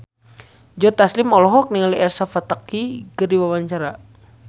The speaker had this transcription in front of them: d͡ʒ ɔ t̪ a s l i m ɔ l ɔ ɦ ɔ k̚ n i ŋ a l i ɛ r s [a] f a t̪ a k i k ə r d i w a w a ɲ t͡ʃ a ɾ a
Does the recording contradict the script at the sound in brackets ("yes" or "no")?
no